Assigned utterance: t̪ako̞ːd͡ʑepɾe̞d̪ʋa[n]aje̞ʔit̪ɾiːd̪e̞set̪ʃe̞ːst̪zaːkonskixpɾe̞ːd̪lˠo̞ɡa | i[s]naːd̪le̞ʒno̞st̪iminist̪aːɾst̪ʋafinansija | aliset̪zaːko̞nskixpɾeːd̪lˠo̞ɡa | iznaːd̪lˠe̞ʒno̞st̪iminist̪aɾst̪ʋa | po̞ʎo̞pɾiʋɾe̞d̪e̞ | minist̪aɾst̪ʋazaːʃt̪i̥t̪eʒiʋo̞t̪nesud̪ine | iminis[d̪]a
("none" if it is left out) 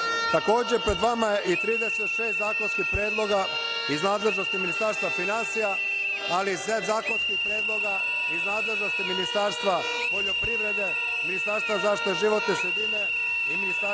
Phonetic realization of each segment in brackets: m, z, t̪

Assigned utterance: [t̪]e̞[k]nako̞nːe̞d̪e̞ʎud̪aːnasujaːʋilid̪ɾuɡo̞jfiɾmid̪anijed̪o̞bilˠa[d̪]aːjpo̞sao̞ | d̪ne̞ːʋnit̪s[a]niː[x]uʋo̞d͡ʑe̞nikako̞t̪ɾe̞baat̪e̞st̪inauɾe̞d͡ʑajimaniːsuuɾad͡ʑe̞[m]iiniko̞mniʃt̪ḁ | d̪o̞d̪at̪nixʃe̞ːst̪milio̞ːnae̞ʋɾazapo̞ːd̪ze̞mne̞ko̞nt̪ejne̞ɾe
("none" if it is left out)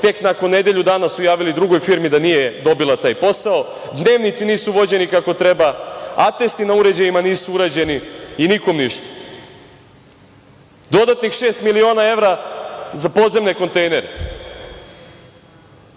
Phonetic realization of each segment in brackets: t̪, k, t̪, i, s, n

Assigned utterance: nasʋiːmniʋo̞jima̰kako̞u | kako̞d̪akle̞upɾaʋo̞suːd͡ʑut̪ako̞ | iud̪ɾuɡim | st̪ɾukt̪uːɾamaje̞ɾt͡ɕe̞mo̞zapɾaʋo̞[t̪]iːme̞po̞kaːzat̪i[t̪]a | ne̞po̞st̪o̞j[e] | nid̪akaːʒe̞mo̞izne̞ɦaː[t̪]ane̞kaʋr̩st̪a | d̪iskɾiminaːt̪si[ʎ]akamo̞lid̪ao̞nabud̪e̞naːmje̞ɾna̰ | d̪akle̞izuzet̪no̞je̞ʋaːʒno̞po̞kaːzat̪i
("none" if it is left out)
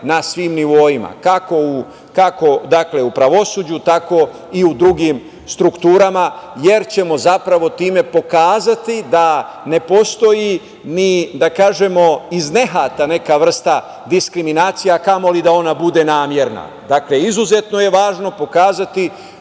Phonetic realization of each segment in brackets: t̪, d̪, i, t̪, j

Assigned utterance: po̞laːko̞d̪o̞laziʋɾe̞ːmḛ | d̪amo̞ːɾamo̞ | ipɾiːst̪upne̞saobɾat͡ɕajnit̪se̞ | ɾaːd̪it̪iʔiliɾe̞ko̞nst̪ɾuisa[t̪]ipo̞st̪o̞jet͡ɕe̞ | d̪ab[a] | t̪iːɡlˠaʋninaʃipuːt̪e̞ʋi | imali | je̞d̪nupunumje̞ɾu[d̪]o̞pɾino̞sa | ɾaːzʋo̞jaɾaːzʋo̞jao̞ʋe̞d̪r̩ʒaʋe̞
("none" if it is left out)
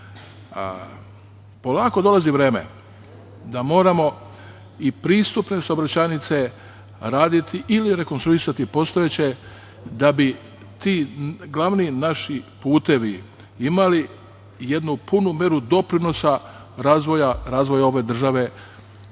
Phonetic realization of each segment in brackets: t̪, i, d̪

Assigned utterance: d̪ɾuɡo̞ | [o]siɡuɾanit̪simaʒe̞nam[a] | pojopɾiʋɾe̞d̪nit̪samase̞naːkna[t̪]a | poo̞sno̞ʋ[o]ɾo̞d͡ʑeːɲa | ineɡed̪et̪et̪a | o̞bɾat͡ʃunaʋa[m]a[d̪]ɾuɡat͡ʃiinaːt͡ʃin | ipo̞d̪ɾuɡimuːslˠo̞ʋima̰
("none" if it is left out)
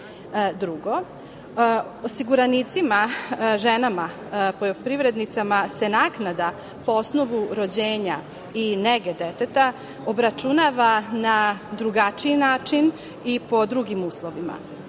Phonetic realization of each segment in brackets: o, a, d̪, u, n, d̪

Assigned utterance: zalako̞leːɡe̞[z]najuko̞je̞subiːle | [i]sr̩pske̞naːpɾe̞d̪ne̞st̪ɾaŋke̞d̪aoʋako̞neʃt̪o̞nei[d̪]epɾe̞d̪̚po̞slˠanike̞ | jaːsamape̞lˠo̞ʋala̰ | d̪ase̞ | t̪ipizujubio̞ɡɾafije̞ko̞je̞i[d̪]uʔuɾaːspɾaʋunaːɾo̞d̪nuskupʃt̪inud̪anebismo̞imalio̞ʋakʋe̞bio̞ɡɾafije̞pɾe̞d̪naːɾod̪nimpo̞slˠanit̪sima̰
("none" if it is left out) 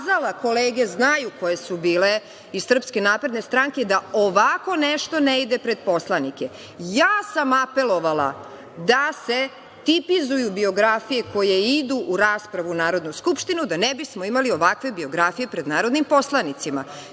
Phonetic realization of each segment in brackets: z, i, d̪, d̪

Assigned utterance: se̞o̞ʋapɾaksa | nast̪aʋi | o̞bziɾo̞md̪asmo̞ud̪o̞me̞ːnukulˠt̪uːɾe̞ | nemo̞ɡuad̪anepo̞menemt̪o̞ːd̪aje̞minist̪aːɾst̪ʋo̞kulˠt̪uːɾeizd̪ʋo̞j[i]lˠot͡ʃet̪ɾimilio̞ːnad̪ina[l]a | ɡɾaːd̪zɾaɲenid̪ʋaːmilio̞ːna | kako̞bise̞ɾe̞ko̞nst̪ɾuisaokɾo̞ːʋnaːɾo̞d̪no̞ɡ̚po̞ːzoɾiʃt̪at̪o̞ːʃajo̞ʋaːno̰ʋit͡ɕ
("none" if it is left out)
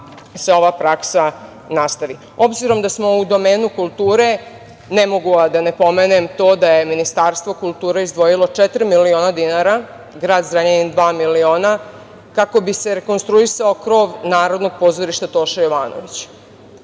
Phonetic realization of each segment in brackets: i, ɾ

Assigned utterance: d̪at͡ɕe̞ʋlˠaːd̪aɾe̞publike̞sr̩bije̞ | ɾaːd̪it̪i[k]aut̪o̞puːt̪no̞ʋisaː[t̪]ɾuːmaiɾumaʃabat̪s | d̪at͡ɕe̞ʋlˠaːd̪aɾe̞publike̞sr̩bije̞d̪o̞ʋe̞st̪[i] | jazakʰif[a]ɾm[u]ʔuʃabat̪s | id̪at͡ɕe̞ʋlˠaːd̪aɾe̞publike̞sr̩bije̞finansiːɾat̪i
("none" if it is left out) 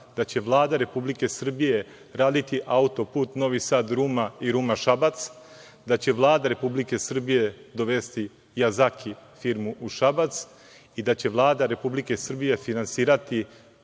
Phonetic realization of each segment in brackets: ʔ, d̪, i, i, u

